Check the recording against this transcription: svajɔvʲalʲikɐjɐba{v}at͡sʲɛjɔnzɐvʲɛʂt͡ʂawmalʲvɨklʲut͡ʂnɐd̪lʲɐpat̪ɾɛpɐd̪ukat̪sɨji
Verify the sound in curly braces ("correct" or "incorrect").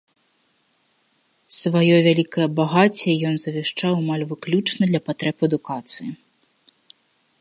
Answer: incorrect